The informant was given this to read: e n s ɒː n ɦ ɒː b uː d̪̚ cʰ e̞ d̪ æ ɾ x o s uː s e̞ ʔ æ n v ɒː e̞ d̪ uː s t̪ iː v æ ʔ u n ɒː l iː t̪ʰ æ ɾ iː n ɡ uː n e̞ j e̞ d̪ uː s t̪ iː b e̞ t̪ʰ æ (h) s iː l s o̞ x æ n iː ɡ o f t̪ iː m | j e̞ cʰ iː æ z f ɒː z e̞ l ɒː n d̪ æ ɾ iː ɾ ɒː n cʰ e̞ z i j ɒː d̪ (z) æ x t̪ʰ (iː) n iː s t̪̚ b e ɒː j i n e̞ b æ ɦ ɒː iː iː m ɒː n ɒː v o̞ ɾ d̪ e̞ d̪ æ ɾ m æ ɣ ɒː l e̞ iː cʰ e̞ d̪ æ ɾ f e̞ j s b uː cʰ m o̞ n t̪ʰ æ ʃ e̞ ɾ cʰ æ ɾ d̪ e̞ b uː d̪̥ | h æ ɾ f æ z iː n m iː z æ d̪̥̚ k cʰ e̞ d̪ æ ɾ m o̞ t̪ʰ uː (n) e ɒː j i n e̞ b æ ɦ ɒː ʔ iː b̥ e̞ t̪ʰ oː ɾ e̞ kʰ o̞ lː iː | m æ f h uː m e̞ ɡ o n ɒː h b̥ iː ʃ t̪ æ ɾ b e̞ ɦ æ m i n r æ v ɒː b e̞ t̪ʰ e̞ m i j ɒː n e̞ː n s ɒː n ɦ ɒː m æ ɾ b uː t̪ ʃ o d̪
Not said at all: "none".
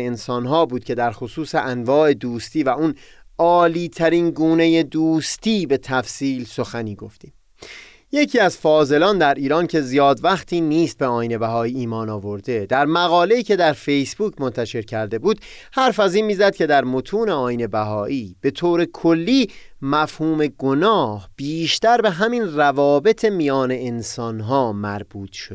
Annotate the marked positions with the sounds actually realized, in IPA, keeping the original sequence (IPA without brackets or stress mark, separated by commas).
f, v, iː, n